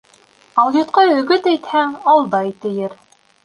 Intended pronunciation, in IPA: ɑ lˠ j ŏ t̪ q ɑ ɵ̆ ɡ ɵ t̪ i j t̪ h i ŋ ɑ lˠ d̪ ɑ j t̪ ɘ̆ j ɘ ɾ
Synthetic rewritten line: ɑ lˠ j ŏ t̪ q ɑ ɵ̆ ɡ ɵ t̪ æ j t̪ h æ ŋ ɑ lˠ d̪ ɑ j t̪ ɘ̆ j ɘ ɾ